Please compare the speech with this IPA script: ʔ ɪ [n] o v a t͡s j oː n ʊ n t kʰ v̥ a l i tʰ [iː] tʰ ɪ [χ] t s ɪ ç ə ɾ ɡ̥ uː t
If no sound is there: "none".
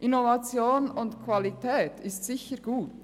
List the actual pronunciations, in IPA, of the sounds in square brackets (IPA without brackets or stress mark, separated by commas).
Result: n, ɛː, s